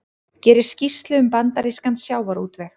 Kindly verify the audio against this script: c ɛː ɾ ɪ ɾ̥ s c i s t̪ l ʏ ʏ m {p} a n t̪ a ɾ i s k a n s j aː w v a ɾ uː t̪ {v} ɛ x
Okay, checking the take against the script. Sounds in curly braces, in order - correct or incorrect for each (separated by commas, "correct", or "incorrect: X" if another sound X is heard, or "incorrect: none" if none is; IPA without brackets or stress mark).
correct, correct